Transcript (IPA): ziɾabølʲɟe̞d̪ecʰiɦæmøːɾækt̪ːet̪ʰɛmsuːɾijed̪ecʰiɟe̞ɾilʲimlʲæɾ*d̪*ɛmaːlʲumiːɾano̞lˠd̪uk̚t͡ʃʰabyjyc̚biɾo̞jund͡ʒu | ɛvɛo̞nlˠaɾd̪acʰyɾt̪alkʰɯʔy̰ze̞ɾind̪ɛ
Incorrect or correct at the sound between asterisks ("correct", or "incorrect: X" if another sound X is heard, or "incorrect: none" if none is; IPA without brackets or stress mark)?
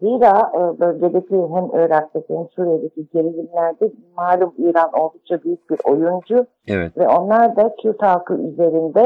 correct